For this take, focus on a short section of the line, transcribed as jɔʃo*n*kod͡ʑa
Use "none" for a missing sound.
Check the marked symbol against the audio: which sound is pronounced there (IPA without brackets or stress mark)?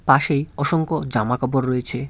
ŋ